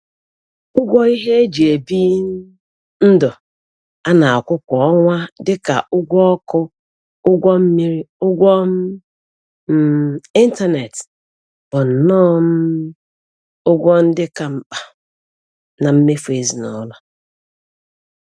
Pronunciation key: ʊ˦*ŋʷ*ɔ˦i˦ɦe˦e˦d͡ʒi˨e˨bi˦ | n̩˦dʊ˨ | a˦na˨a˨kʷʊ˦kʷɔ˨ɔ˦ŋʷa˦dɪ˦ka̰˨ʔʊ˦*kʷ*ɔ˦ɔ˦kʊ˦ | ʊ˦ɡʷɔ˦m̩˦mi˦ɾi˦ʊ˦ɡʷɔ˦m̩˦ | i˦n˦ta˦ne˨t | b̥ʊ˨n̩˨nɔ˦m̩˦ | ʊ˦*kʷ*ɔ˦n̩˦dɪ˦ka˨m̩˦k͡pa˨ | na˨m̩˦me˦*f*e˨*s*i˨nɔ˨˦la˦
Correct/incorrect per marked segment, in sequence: incorrect: ɡʷ, incorrect: ɡʷ, incorrect: ɡʷ, correct, incorrect: z

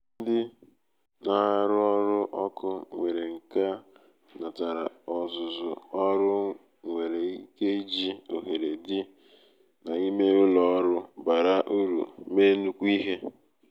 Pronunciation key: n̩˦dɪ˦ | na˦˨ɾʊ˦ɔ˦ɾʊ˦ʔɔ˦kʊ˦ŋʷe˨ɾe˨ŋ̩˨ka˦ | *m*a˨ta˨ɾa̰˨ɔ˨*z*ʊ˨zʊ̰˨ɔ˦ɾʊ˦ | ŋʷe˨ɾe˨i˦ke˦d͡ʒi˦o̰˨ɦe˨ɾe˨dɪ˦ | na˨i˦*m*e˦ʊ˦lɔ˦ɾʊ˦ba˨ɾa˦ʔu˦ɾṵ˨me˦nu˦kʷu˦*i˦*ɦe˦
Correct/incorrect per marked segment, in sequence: incorrect: n, correct, correct, correct

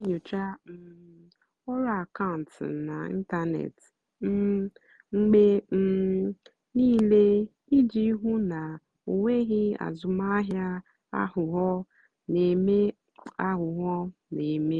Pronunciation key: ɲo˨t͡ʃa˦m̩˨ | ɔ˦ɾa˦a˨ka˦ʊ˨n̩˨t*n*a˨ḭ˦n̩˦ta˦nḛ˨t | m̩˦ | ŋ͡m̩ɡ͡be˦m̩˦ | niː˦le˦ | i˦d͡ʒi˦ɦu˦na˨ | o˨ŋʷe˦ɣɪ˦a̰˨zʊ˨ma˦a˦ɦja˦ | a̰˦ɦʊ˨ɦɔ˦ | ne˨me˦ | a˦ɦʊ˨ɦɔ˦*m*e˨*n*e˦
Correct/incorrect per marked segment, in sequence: correct, incorrect: n, incorrect: m

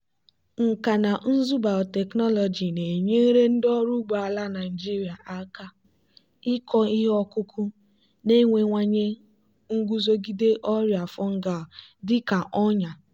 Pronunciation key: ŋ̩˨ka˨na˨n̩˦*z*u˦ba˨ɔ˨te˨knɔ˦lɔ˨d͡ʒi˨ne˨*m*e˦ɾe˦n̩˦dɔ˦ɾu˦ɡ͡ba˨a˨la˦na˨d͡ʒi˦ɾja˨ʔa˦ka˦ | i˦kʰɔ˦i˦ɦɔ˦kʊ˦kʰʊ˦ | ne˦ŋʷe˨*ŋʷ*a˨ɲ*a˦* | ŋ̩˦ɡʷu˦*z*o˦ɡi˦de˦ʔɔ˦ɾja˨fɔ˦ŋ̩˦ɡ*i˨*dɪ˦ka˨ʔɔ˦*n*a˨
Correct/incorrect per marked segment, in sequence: correct, incorrect: ɲ, correct, incorrect: e˦, correct, incorrect: a˨, incorrect: ɲ

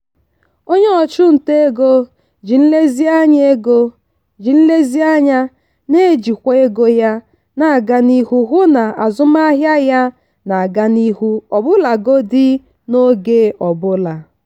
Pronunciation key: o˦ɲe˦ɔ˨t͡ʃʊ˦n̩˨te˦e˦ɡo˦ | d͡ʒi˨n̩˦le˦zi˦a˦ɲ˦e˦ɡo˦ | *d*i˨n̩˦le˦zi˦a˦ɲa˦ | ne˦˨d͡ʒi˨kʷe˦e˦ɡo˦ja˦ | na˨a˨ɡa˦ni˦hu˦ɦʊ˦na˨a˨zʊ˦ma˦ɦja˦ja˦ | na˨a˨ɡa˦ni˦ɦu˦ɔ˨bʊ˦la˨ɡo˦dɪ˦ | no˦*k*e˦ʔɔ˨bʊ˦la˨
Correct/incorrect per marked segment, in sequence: incorrect: d͡ʒ, incorrect: ɡ

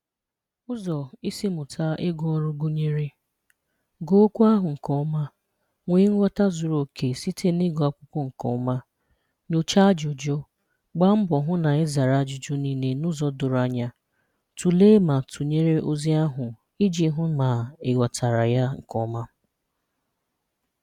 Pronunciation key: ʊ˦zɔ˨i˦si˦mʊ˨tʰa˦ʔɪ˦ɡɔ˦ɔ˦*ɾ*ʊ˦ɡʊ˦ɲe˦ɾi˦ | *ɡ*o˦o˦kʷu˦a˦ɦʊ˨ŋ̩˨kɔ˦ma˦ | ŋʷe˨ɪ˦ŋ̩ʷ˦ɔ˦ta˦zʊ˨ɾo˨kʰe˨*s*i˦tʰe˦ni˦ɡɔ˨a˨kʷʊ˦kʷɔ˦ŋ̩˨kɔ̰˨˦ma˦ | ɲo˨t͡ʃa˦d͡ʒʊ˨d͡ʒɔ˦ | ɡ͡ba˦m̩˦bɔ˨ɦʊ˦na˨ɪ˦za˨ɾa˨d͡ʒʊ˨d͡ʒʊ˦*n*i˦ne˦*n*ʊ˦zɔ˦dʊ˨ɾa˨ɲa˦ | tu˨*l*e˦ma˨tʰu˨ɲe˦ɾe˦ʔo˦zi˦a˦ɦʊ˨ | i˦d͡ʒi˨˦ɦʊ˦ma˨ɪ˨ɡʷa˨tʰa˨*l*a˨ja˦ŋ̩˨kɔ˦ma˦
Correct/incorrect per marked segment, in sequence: correct, correct, correct, correct, correct, correct, incorrect: ɾ

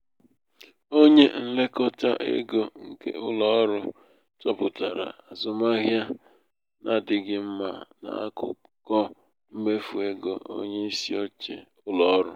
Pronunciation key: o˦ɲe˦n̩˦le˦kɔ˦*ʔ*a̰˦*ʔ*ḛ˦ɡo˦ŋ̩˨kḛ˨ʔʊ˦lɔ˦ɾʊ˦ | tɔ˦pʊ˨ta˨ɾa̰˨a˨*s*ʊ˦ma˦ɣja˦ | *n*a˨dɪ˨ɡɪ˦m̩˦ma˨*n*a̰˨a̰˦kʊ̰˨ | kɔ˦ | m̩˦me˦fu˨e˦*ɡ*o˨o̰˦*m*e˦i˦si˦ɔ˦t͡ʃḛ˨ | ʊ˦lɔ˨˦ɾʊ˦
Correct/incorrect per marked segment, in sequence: incorrect: t, correct, incorrect: z, correct, correct, correct, incorrect: ɲ

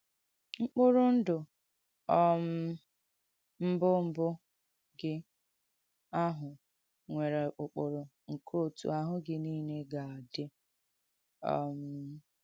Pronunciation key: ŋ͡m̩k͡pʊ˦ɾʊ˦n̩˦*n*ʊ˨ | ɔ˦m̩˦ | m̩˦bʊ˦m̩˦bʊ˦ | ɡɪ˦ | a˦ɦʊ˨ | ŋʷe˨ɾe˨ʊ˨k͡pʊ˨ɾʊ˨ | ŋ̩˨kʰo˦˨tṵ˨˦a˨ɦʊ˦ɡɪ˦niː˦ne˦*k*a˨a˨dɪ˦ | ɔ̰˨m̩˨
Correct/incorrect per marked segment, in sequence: incorrect: d, incorrect: ɡ

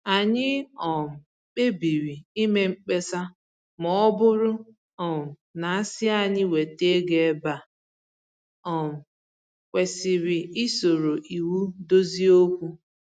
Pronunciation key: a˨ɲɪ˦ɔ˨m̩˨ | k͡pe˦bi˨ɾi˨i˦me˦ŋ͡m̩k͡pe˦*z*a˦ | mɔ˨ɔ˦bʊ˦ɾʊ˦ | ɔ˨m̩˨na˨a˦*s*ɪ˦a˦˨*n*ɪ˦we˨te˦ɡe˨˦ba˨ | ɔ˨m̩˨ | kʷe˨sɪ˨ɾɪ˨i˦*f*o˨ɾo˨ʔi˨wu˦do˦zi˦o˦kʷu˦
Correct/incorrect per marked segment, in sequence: incorrect: s, correct, incorrect: ɲ, incorrect: s

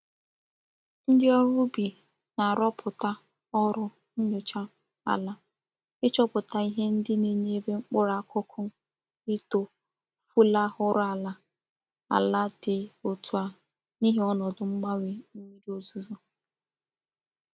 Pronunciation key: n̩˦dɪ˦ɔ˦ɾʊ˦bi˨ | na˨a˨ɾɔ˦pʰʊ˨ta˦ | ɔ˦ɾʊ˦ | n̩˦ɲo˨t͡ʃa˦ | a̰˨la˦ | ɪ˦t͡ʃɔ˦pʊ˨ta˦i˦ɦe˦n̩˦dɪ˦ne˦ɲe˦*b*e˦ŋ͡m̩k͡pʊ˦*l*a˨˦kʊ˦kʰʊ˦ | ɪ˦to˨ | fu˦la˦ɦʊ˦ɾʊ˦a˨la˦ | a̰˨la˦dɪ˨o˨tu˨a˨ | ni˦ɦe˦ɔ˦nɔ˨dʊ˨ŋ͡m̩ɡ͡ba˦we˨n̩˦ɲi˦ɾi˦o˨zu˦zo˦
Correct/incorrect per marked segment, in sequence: correct, incorrect: ɾ

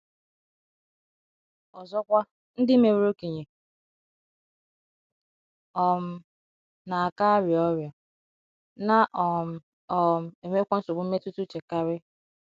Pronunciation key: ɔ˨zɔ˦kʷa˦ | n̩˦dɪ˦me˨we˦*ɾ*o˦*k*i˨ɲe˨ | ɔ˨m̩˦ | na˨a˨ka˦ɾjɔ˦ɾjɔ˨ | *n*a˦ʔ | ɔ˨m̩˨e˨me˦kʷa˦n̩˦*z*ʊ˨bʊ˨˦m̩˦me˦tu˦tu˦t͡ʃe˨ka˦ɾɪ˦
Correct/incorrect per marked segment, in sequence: correct, correct, correct, incorrect: s

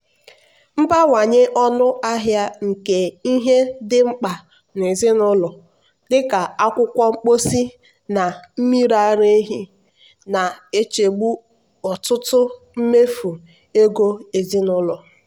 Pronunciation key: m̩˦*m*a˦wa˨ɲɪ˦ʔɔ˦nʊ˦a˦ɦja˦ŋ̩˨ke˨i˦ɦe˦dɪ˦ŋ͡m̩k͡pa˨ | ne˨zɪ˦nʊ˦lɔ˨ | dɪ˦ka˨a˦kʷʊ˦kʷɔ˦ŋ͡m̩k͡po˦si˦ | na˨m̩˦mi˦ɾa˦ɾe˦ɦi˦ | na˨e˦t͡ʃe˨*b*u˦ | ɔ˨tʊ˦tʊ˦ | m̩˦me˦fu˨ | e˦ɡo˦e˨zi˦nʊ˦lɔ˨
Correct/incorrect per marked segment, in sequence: incorrect: b, incorrect: ɡ͡b

